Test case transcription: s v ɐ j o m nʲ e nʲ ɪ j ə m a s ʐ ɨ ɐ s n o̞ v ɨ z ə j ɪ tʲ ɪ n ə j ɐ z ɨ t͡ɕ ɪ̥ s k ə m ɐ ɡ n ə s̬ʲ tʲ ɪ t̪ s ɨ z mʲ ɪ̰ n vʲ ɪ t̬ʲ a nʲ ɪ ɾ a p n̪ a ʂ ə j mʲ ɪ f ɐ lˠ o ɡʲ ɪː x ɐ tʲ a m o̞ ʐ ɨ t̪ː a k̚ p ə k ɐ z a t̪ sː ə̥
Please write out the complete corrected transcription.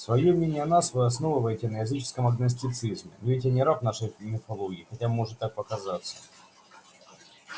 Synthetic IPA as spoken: s v ɐ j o m nʲ e nʲ ɪ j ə n a s v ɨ ɐ s n o̞ v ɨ v ə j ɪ tʲ ɪ n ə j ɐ z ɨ t͡ɕ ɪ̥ s k ə m ɐ ɡ n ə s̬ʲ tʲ ɪ t̪ s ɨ z mʲ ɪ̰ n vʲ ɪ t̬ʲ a nʲ ɪ ɾ a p n̪ a ʂ ə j mʲ ɪ f ɐ lˠ o ɡʲ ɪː x ɐ tʲ a m o̞ ʐ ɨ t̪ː a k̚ p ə k ɐ z a t̪ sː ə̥